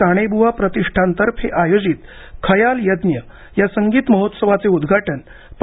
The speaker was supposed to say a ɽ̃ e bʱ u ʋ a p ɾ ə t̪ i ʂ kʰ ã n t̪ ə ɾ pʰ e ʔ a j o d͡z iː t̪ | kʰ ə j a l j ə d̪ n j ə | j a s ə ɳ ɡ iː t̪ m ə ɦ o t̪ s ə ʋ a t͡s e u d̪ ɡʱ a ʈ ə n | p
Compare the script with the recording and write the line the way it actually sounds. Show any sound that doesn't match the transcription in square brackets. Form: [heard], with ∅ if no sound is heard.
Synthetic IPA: a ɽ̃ e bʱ u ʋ a p ɾ ə t̪ i ʂ [ʈʰ] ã n t̪ ə ɾ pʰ e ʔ a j o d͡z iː t̪ | kʰ ə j a l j ə d̪ n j ə | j a s ə [ŋ] ɡ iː t̪ m ə ɦ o t̪ s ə ʋ a t͡s e u d̪ ɡʱ a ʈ ə n | p